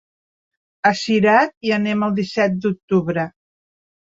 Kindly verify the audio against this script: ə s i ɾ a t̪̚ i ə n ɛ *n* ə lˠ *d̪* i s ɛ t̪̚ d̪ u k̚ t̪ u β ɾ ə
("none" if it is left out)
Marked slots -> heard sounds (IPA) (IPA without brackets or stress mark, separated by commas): m, d̪